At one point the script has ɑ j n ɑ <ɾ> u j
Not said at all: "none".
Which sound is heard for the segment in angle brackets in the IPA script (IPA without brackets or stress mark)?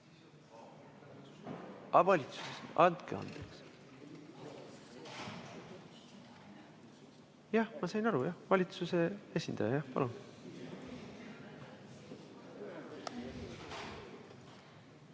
ɾ